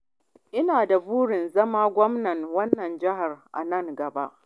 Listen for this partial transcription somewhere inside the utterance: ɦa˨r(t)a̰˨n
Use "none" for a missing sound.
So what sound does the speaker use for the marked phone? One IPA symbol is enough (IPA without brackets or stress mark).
ʔ